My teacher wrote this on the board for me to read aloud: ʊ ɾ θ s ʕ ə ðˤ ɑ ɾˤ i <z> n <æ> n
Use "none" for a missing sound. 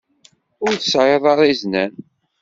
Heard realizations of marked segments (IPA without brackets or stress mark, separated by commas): z, æ